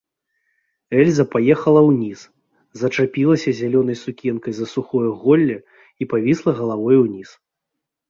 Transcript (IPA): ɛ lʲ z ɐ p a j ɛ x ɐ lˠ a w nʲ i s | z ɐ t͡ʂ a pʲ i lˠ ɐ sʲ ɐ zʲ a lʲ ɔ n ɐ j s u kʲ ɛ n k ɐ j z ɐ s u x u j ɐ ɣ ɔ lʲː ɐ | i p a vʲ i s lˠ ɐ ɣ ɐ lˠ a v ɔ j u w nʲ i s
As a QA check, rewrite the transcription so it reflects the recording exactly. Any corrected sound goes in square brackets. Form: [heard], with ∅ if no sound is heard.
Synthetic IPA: ɛ lʲ z ɐ p a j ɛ x ɐ lˠ [ɐ] w nʲ i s | z ɐ t͡ʂ a pʲ i lˠ ɐ sʲ ɐ zʲ a lʲ ɔ n ɐ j s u kʲ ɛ n k ɐ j z ɐ s u x [ɔ] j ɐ ɣ ɔ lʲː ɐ | i p a vʲ i s lˠ ɐ ɣ ɐ lˠ a v ɔ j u w nʲ i s